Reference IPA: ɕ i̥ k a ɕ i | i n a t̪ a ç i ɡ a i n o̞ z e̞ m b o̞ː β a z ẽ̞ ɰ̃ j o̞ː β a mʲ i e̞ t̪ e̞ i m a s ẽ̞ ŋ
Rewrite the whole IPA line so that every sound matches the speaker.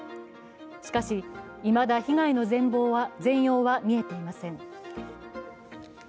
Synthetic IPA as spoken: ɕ i̥ k a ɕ i | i m a d̪ a ç i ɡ a i n o̞ z ẽ̞ m b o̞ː β a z ẽ̞ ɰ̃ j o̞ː β a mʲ i e̞ t̪ e̞ i m a s ẽ̞ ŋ